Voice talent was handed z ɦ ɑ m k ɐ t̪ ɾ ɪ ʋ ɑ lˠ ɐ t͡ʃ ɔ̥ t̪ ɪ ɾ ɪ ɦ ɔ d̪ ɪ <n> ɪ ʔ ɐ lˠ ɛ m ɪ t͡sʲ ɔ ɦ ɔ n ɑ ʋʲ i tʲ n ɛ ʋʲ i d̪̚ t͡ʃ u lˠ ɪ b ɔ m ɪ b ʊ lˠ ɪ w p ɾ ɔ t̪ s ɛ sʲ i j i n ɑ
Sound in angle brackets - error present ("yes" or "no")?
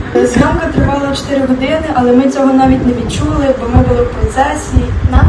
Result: no